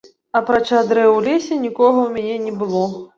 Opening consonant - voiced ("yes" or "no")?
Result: no